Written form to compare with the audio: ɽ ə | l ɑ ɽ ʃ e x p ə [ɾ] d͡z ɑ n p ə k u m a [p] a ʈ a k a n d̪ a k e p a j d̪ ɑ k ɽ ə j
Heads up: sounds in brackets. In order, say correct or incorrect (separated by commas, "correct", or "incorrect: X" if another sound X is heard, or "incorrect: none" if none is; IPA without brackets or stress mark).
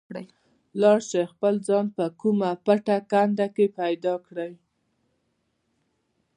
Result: incorrect: l, correct